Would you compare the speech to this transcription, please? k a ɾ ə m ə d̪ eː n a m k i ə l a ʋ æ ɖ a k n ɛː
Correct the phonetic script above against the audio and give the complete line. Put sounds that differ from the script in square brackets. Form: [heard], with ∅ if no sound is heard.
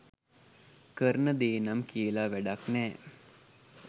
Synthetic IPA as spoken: k [ə] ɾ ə [n] ə d̪ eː n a m k i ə l a ʋ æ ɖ a k n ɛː